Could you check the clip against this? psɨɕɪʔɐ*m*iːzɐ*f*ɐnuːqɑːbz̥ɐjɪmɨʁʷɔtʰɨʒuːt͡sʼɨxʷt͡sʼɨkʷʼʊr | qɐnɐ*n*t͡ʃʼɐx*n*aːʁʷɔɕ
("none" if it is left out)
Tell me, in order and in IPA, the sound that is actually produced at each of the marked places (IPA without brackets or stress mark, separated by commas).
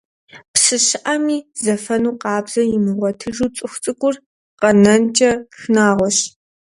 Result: m, f, n, n